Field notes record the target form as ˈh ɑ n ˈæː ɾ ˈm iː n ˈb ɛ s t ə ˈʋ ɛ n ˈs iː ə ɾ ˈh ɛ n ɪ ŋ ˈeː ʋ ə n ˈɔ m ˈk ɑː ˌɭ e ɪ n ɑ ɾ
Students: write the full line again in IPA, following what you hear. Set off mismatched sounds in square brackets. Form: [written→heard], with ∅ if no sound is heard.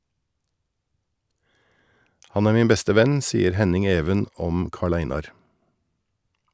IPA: ˈh ɑ n ˈæː ɾ ˈm iː n ˈb ɛ s t ə ˈʋ ɛ n ˈs iː ə ɾ ˈh ɛ n ɪ ŋ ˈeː ʋ ə n ˈɔ m ˈk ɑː ˌɭ [e→æ] ɪ n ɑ ɾ